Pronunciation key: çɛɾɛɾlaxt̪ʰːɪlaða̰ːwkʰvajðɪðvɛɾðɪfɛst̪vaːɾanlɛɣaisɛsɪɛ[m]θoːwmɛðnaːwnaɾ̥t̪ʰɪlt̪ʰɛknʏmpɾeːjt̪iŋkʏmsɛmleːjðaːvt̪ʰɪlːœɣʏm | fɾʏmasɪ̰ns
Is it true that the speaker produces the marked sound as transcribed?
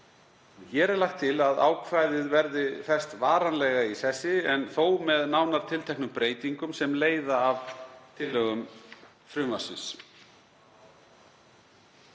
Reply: no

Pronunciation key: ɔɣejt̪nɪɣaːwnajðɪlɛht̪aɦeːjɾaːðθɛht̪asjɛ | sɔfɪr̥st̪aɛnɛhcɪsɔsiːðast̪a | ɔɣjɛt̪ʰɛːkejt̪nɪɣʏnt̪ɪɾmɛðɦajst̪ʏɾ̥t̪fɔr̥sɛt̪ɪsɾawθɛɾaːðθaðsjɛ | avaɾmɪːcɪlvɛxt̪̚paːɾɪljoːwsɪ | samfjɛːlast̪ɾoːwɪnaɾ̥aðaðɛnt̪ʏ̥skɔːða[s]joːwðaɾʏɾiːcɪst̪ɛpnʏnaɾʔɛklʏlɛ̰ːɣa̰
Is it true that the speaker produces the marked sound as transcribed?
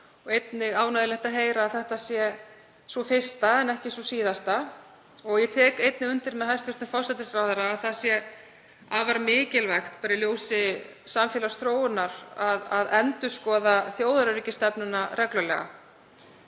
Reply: no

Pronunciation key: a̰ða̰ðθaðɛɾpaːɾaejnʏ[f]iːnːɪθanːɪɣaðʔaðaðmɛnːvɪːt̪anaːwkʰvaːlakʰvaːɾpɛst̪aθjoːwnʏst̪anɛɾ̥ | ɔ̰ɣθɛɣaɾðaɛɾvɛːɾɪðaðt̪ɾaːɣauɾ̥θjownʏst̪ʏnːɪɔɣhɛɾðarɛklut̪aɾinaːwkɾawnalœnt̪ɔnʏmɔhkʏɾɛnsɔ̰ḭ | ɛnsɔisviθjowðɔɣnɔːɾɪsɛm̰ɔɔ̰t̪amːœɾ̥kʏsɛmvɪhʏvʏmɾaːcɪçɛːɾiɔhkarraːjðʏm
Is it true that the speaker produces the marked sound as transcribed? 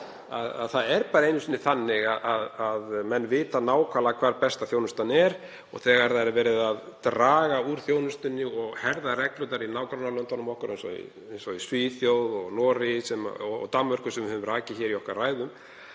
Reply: no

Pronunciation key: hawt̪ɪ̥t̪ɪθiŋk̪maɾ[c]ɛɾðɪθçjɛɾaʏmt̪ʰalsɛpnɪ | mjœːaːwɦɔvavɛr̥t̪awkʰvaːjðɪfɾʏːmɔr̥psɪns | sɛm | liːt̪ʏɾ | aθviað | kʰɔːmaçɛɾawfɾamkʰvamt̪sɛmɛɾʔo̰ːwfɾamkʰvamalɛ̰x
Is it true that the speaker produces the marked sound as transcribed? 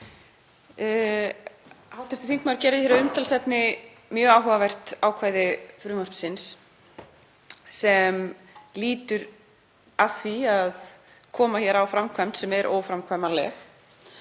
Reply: yes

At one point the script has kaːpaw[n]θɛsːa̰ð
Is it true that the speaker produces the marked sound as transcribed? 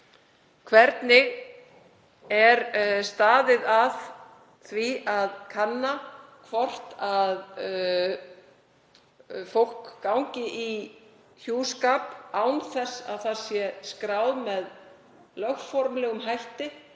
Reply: yes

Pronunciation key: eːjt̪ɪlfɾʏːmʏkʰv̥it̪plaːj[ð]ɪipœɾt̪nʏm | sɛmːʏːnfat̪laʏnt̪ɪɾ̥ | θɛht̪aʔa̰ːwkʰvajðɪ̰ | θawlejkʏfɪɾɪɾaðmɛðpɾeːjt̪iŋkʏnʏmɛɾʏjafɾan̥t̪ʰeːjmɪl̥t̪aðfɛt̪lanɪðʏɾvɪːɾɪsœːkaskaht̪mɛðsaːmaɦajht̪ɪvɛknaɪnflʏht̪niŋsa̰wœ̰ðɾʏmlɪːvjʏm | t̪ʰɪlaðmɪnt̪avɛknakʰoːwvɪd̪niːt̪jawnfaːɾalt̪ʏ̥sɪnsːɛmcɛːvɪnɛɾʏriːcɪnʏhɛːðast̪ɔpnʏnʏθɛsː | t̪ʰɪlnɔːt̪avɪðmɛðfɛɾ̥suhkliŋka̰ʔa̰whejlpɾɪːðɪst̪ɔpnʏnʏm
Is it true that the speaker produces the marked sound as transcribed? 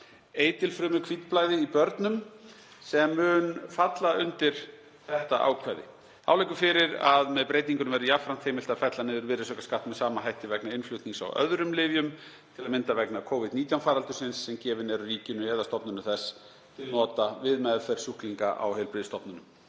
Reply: yes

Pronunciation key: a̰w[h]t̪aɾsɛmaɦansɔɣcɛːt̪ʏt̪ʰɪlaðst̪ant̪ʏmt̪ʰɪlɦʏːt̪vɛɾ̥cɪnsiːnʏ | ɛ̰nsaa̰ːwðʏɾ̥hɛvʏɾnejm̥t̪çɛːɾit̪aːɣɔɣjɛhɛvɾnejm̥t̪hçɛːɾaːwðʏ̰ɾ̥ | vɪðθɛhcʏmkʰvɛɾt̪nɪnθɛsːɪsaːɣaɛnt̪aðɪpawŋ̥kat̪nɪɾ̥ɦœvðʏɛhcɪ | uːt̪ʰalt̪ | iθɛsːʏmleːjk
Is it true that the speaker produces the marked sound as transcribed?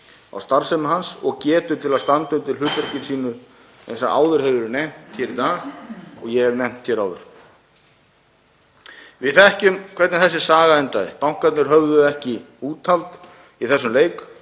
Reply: no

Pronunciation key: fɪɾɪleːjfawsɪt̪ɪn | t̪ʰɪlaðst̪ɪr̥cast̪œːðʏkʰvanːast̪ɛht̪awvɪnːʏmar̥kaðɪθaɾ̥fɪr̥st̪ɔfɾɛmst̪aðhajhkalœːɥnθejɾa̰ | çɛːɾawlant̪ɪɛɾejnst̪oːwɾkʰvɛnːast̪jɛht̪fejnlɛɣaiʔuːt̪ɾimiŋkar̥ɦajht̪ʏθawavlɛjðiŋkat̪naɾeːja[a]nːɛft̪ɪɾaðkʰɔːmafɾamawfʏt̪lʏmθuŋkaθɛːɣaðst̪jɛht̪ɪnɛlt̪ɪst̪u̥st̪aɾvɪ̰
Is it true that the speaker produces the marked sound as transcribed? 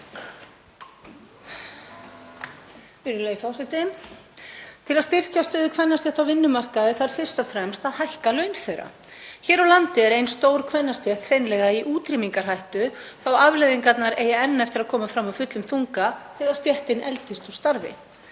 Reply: no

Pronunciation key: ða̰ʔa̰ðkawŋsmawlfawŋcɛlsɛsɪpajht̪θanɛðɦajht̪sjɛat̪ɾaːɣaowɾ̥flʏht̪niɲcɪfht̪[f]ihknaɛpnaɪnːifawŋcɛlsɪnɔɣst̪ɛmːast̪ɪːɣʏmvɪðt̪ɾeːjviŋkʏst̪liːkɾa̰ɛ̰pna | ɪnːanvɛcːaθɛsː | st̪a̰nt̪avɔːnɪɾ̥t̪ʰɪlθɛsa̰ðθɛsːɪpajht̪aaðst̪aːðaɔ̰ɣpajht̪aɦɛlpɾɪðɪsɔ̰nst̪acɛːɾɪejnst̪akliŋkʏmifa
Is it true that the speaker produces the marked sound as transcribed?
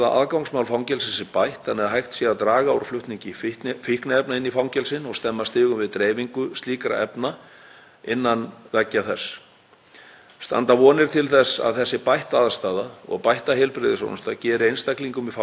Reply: yes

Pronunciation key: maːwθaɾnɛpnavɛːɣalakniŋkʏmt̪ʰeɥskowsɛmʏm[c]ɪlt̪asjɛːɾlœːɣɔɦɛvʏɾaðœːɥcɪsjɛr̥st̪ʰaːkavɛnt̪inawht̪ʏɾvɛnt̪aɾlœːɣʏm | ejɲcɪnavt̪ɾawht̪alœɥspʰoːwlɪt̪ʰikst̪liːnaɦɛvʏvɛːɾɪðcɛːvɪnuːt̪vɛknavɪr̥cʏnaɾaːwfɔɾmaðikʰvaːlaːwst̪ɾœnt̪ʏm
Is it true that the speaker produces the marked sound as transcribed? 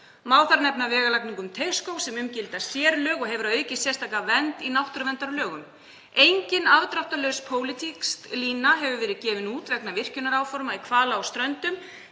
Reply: yes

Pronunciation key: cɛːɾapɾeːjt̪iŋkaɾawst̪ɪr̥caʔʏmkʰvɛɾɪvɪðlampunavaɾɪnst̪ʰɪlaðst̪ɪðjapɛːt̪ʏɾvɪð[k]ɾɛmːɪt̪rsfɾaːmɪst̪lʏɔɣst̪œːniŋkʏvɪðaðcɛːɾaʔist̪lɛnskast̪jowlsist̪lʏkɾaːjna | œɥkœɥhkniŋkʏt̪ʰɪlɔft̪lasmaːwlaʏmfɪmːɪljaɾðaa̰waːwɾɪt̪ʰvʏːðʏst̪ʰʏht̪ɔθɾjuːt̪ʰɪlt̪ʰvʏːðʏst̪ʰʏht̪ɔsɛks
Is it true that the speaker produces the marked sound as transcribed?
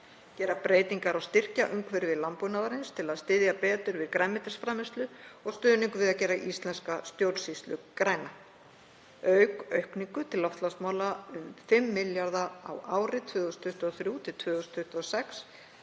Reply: yes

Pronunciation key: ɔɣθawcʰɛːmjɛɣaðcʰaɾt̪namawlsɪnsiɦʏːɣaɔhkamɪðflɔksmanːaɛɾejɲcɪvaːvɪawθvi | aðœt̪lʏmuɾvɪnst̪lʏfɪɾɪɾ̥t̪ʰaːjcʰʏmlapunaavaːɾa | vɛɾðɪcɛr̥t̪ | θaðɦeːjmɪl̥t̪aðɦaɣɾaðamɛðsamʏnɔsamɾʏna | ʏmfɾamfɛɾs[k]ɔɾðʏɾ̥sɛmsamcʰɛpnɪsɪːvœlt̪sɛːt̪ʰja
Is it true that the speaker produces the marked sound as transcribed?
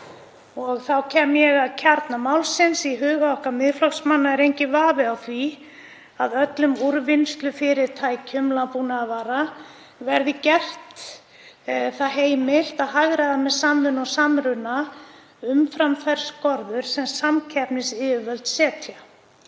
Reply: yes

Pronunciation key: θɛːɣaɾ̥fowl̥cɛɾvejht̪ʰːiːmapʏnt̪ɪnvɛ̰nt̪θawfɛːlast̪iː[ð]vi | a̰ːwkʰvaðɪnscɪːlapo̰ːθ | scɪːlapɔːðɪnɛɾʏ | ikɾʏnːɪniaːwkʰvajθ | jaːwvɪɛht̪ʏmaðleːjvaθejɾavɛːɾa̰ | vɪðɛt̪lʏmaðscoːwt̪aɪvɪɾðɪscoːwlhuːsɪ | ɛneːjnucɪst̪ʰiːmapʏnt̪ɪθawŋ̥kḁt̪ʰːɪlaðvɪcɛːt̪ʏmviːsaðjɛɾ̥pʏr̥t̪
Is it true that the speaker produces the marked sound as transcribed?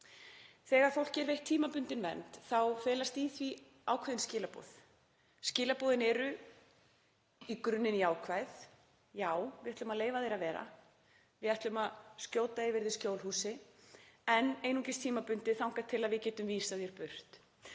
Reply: no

